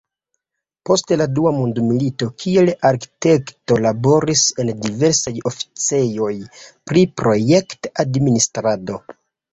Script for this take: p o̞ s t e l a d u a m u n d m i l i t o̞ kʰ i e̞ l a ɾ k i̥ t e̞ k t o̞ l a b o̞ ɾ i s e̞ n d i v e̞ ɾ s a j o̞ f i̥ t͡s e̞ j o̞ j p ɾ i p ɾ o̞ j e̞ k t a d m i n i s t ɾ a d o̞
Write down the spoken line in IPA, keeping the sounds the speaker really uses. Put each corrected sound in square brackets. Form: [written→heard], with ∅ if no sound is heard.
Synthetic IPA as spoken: p o̞ s t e l a d u a m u n d m i l i t o̞ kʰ i e̞ l a ɾ k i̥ t e̞ k t o̞ l a b o̞ ɾ i s e̞ n d i v e̞ ɾ s a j o̞ f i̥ t͡s e̞ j o̞ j p ɾ i p ɾ o̞ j e̞ k t a d m i n i s t ɾ a d o̞